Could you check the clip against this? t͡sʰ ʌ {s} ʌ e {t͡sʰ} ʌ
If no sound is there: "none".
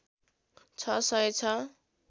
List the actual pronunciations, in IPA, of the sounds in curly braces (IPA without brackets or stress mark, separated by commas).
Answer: s, t͡sʰ